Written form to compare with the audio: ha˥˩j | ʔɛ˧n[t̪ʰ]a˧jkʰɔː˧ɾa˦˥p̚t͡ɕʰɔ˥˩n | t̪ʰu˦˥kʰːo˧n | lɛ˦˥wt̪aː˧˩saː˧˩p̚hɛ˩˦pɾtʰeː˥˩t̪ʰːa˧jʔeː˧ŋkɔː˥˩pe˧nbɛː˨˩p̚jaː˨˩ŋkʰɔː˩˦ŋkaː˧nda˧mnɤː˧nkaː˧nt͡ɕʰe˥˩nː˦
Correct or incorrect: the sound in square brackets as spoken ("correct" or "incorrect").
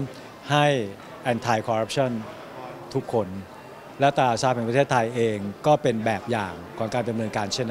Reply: correct